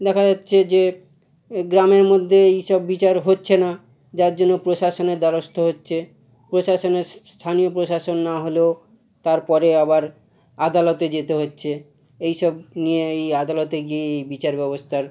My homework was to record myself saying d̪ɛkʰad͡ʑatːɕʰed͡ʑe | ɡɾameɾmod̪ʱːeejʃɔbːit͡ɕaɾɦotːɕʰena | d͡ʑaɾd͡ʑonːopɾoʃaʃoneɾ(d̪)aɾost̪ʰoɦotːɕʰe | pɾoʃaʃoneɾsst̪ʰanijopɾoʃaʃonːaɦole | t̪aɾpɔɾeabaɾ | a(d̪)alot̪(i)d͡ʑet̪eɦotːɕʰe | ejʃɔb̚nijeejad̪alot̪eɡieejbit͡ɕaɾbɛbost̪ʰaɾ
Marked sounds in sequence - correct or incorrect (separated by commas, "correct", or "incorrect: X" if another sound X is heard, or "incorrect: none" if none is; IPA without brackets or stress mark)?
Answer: correct, correct, incorrect: e